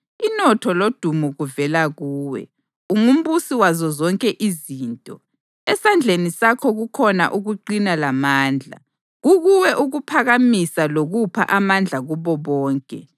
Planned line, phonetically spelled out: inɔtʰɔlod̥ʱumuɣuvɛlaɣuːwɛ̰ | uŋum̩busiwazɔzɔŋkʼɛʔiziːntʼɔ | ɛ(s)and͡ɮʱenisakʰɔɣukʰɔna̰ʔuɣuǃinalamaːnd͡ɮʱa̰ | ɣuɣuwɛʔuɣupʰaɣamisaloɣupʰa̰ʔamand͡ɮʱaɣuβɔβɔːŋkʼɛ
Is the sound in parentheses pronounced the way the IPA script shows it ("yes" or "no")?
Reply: yes